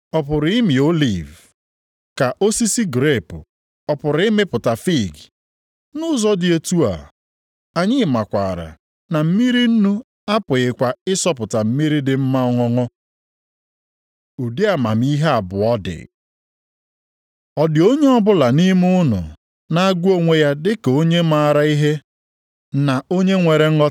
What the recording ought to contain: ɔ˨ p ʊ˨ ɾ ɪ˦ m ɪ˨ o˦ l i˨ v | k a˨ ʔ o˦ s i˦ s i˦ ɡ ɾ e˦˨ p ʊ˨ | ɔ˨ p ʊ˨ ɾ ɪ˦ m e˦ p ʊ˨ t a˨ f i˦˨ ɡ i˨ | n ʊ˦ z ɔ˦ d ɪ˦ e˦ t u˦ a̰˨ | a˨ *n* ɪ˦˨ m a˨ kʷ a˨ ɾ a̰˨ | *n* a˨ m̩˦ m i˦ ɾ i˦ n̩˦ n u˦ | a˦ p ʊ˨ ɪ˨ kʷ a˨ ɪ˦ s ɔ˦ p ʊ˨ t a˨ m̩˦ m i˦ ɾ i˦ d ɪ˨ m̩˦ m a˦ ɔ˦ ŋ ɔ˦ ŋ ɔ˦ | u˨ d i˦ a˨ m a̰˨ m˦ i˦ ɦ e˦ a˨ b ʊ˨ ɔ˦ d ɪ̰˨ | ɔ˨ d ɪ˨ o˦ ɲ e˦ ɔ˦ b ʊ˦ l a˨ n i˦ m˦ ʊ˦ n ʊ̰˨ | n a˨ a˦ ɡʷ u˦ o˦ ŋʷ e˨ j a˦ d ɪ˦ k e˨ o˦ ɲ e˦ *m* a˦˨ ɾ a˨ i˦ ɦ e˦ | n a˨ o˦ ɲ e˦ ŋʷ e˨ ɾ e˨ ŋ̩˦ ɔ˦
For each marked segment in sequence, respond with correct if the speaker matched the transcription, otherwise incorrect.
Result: incorrect, correct, correct

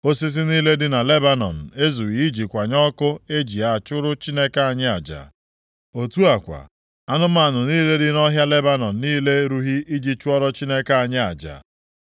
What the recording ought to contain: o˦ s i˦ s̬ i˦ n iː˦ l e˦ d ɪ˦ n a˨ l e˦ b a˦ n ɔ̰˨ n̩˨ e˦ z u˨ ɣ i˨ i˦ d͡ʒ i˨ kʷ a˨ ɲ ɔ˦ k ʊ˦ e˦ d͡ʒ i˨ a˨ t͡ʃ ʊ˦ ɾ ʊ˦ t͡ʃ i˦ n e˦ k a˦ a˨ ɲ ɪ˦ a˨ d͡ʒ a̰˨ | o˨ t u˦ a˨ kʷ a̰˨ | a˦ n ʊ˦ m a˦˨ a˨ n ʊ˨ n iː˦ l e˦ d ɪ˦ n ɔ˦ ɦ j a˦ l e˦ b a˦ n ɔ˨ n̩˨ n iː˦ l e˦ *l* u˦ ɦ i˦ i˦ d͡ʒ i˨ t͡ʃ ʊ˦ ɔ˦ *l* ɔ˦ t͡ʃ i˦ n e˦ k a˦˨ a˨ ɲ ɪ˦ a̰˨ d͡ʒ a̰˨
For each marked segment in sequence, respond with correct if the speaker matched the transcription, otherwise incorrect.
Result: incorrect, incorrect

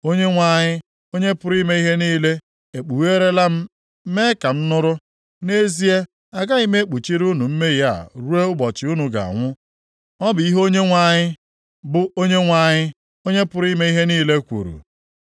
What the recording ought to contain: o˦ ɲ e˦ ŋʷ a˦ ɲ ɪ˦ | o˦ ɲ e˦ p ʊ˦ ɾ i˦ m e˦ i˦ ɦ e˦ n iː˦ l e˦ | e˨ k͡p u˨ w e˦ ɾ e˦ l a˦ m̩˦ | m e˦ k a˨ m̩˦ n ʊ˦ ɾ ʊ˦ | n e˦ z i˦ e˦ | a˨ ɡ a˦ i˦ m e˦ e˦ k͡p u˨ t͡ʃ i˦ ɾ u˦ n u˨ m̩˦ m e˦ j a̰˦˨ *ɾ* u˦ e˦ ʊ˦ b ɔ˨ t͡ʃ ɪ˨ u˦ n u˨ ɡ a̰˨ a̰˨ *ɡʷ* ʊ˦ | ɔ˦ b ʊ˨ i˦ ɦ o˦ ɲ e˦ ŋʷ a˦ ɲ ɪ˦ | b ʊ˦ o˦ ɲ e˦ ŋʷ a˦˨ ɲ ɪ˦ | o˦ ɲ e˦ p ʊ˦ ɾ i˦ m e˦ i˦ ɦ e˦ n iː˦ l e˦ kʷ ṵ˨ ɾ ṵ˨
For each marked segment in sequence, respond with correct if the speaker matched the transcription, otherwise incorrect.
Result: correct, incorrect

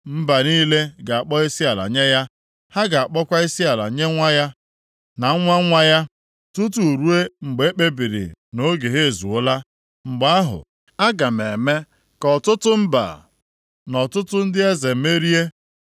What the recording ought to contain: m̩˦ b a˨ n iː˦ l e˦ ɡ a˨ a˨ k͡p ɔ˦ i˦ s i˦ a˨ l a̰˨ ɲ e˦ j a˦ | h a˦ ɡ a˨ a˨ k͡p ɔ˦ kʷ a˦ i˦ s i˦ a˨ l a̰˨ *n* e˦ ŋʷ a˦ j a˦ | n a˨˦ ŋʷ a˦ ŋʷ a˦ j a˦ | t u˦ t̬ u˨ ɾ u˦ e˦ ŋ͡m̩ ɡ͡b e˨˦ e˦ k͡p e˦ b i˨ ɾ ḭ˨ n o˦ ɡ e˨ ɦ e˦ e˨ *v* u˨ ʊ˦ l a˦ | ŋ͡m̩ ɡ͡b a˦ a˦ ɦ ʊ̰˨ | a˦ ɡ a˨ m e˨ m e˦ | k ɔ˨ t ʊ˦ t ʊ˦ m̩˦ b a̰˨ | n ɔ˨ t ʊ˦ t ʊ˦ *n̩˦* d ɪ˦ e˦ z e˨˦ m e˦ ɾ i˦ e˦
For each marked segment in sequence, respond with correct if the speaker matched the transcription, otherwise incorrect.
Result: incorrect, incorrect, correct

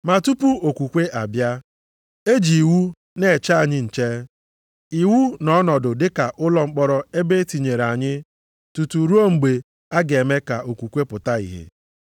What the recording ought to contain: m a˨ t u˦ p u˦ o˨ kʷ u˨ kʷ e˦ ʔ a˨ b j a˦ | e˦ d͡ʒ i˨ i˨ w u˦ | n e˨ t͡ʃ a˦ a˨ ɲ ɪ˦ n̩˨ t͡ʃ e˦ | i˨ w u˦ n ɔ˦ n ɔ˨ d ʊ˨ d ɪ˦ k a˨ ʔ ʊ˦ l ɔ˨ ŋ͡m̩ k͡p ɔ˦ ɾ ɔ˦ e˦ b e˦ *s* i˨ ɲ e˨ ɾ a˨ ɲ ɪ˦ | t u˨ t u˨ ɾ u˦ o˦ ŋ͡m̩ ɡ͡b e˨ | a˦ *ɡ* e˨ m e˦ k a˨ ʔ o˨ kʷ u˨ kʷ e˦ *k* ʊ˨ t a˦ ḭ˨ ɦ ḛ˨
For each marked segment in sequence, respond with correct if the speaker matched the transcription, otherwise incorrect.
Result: incorrect, correct, incorrect

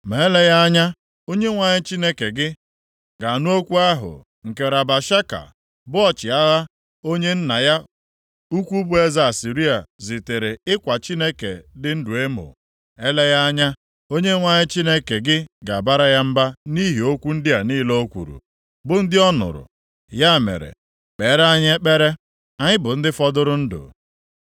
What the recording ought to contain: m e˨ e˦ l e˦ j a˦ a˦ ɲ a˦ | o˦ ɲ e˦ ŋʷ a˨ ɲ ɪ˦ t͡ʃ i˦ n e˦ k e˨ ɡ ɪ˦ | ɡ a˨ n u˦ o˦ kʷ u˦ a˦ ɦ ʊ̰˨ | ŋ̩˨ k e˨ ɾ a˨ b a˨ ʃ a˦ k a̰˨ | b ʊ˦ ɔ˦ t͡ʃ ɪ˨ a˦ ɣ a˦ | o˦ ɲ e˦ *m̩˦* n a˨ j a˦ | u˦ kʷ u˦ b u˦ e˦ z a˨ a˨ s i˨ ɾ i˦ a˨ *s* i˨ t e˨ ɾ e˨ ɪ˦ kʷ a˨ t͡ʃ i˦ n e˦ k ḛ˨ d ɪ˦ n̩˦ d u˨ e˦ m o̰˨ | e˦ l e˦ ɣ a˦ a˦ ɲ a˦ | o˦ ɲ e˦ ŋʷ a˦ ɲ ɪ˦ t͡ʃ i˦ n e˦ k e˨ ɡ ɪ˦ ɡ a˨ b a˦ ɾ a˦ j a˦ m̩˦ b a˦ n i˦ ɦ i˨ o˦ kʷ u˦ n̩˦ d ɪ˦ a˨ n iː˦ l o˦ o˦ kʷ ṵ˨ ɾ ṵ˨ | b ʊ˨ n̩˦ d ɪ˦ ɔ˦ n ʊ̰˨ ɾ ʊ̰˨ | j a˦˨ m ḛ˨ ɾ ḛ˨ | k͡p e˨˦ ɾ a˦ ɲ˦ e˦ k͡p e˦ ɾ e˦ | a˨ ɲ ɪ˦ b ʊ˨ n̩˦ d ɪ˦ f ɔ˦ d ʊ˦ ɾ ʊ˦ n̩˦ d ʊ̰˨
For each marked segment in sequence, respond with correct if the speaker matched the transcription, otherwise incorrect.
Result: incorrect, incorrect

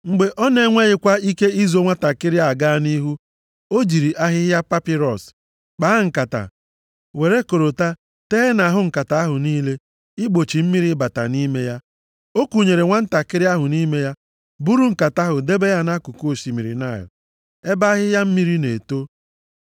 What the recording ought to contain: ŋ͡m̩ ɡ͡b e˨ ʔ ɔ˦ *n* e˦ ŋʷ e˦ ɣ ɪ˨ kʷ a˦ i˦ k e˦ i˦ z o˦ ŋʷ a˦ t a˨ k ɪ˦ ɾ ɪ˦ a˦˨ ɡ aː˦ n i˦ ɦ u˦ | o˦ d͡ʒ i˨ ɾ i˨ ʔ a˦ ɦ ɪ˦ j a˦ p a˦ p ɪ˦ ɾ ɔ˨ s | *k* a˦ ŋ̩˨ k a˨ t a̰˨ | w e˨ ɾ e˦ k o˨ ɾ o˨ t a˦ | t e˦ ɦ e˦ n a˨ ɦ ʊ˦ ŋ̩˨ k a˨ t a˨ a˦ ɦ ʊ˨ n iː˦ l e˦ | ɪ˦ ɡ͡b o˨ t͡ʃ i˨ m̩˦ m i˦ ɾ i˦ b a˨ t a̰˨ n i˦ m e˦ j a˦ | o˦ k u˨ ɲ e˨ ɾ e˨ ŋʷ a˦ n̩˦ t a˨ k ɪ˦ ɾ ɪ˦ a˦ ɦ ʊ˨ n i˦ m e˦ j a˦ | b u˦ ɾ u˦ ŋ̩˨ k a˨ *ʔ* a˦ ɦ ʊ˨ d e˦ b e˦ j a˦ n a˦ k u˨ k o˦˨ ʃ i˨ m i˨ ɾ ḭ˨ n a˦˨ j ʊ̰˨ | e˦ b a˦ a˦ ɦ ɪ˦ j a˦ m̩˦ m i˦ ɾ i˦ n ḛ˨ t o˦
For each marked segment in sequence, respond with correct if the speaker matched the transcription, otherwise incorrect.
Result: correct, incorrect, incorrect

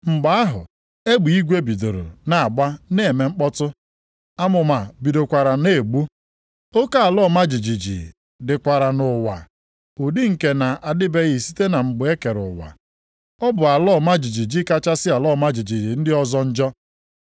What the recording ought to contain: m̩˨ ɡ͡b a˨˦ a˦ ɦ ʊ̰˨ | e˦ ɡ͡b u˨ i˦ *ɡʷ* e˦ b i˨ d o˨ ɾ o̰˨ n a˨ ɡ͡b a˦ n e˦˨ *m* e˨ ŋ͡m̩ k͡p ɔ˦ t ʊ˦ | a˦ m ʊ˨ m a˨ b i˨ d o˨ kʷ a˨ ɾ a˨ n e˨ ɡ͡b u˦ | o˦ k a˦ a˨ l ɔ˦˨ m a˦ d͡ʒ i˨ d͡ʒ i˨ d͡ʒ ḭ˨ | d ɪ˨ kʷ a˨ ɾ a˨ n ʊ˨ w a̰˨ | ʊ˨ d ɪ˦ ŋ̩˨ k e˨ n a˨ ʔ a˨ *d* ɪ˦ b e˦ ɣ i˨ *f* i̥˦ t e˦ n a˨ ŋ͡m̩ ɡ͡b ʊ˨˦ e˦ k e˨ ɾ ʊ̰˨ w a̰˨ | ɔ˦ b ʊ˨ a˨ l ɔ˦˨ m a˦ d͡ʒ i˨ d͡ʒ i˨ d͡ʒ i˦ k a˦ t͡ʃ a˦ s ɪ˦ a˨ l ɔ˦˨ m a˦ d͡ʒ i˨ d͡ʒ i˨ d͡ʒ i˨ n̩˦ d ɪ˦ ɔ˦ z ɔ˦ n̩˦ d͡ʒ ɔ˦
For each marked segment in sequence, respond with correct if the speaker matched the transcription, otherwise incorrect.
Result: correct, correct, correct, incorrect

